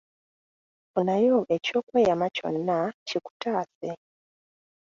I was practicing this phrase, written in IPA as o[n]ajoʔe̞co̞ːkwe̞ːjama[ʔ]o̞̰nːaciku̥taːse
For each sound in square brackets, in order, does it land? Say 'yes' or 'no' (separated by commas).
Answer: yes, no